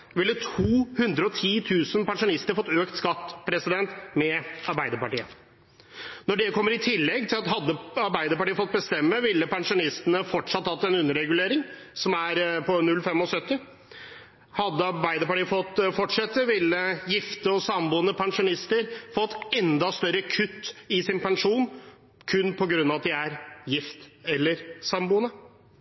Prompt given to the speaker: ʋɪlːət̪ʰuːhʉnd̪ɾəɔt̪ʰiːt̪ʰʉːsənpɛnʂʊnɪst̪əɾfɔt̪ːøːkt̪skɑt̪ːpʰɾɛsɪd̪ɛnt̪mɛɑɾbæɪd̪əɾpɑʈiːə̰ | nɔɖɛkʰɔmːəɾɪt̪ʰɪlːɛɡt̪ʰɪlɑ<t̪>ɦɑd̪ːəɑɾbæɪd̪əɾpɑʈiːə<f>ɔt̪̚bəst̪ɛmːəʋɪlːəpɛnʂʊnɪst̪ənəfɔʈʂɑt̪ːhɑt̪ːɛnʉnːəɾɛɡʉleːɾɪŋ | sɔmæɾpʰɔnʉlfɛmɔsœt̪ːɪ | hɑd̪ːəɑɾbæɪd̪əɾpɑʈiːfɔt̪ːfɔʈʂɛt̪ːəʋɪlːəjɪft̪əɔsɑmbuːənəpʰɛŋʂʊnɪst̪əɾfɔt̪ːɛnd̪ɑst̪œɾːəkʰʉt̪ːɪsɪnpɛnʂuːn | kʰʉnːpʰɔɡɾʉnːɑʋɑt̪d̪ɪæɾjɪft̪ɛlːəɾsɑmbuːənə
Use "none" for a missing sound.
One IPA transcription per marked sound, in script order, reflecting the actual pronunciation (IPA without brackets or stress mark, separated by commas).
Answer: t̪, f